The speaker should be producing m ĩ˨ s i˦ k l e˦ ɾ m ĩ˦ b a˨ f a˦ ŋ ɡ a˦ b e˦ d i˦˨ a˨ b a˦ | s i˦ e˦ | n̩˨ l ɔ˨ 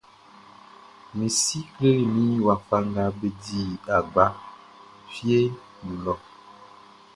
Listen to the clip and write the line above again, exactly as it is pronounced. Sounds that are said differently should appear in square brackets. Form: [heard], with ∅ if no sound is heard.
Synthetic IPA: m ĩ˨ s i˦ k l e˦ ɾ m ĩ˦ [w] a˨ f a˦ ŋ ɡ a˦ b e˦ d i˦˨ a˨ [ɡ͡b] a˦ | [f] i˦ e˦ | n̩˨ l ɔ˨